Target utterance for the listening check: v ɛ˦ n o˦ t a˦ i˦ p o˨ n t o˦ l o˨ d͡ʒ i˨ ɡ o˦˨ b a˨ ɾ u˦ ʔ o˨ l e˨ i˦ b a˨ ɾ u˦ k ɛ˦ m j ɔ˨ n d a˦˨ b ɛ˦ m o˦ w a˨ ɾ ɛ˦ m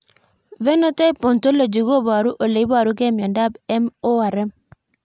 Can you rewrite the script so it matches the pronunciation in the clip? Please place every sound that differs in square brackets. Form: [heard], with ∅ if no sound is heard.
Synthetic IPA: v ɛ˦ n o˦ t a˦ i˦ p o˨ n t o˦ l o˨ d͡ʒ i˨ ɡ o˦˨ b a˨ ɾ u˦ ʔ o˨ l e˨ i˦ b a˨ ɾ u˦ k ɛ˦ m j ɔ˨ n d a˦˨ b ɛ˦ m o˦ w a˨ ɾ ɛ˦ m